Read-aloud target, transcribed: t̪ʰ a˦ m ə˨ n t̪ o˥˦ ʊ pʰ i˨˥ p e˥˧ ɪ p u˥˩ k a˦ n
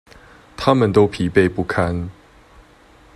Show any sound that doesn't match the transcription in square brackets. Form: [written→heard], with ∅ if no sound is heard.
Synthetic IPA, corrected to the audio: t̪ʰ a˦ m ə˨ n t̪ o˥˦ ʊ pʰ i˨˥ p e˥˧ ɪ p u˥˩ [k→kʰ] a˦ n